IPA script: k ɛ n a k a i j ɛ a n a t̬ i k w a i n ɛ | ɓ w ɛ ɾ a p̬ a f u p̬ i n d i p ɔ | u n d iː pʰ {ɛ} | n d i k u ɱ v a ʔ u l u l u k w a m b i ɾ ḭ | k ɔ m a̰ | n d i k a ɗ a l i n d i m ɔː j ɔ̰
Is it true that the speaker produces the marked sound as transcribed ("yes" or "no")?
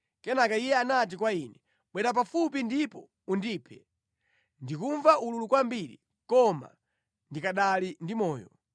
yes